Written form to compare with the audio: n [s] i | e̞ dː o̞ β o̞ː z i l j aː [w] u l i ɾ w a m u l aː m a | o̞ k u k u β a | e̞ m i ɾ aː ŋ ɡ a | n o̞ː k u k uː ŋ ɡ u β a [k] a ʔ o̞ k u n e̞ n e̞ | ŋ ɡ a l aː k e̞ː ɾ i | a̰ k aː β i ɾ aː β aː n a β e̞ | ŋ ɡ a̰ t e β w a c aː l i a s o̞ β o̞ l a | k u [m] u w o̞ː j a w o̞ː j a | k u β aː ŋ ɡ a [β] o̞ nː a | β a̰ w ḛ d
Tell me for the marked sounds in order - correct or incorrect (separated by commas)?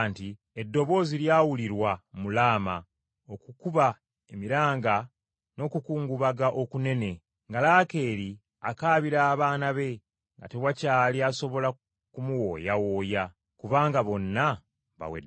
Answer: incorrect, correct, incorrect, correct, correct